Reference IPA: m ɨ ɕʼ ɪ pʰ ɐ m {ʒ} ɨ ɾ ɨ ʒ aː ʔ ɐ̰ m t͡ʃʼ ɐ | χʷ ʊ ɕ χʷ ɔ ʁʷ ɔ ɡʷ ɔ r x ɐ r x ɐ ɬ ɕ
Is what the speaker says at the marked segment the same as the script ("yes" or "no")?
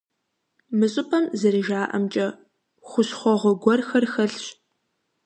no